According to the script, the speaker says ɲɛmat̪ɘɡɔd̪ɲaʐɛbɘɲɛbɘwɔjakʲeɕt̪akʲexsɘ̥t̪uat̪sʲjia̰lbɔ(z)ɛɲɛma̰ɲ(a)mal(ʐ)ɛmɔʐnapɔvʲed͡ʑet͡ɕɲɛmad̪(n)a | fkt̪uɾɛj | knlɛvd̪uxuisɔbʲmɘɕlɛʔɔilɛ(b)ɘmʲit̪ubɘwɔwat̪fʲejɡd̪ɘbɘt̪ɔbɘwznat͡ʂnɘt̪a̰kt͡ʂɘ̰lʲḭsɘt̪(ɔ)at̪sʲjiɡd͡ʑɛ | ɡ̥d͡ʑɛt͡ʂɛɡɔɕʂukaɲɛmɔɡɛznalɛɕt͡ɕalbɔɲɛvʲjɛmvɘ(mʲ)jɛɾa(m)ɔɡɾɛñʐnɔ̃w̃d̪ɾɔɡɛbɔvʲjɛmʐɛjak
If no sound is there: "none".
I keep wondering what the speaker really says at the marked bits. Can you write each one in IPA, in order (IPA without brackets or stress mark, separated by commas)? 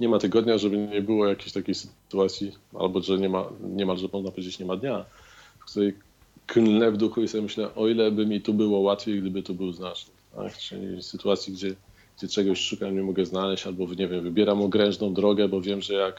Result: ʐ, ɛ, ʐ, ɲ, b, u, bʲ, m